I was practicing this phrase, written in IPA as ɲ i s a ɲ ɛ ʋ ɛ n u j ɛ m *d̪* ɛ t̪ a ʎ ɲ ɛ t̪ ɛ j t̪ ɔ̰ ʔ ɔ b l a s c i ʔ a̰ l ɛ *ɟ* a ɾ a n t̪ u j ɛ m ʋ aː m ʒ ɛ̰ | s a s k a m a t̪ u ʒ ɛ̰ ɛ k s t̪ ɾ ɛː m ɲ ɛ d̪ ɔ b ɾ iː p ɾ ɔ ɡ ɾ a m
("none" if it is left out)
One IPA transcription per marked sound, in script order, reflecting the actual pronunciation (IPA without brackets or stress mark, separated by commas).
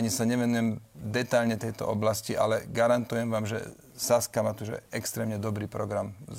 d̪, ɡ